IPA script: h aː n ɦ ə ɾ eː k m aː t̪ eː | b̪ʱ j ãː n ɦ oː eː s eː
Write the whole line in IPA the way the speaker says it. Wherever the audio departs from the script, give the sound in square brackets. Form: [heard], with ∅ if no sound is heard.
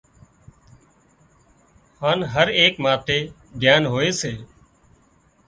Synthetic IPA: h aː n ɦ ə ɾ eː k m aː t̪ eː | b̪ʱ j [aː] n ɦ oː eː s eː